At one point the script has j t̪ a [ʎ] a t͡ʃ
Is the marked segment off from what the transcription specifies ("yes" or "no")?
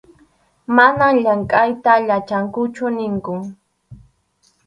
no